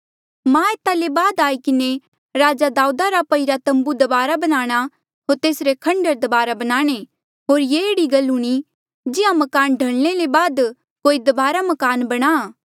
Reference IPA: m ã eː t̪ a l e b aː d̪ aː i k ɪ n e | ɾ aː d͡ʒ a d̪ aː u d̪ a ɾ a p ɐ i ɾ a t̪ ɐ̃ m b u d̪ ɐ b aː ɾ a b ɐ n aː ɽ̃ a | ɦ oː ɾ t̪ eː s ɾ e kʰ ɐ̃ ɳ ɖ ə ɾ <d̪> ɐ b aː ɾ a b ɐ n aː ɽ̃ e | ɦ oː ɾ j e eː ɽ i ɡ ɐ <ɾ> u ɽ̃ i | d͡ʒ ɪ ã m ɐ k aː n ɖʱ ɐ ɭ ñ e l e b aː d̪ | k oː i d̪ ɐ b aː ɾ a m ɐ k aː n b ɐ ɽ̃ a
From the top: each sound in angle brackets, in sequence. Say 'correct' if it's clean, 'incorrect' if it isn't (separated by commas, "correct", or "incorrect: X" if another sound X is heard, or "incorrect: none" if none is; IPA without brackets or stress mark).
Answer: correct, incorrect: l